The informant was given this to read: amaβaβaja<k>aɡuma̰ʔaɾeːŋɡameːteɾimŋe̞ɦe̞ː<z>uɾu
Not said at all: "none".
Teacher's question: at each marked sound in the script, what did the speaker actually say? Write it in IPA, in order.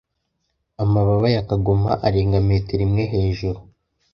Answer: k, ʒ

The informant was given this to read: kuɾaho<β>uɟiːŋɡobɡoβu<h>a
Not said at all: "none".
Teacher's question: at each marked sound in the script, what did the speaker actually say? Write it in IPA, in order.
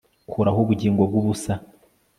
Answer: β, s

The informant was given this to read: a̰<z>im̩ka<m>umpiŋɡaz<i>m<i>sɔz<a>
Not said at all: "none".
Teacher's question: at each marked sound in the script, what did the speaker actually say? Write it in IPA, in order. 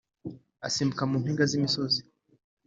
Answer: s, m, i, i, i

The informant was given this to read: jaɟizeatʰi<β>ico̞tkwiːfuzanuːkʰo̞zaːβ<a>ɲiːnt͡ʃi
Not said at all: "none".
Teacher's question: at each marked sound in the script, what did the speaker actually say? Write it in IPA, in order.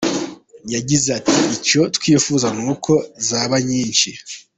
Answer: none, a

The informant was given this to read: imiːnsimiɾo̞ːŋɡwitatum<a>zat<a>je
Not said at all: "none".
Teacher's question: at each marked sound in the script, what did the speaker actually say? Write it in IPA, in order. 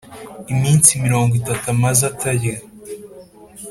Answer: a, a

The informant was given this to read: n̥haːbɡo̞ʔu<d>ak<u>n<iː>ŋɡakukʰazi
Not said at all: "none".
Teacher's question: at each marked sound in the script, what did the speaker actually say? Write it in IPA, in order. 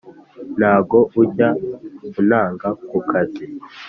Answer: ɟ, u, aː

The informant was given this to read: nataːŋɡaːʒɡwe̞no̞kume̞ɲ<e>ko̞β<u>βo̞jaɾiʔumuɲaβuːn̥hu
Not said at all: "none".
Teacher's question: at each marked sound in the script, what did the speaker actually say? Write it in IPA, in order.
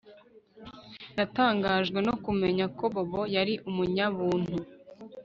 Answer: a, o

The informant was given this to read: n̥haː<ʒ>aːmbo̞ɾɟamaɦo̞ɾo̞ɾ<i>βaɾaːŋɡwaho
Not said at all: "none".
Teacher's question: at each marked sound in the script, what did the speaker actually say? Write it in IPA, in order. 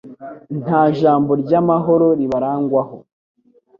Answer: ʒ, i

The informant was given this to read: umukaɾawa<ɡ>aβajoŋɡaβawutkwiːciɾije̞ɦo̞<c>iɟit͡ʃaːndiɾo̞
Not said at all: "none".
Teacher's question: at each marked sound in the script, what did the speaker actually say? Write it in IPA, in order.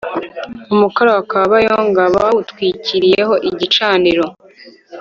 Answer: k, ʔ

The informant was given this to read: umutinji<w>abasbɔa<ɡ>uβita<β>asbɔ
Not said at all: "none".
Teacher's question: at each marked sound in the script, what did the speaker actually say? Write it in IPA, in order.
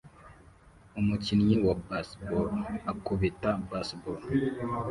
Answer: w, k, b

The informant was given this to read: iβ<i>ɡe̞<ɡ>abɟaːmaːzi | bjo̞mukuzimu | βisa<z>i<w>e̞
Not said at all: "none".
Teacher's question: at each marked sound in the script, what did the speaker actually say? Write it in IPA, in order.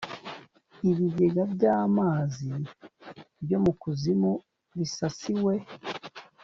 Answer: i, ɡ, s, w

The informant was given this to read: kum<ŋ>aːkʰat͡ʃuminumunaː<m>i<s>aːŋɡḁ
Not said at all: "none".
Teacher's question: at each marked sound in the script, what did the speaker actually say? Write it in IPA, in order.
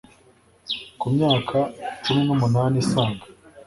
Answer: ɲ, n, s

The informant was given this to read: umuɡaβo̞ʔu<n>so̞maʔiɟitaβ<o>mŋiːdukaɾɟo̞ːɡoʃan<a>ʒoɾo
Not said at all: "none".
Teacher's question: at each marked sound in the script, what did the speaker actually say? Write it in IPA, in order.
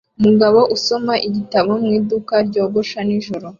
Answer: none, o, i

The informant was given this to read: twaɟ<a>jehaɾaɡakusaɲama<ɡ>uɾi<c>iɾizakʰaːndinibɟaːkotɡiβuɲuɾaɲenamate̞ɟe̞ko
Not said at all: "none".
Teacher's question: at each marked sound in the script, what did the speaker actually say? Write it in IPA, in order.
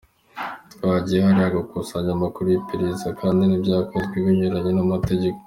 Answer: i, k, p

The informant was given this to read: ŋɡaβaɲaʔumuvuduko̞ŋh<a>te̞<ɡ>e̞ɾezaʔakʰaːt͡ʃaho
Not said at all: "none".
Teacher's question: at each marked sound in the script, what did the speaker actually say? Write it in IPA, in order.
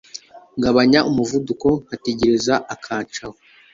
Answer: a, ɟ

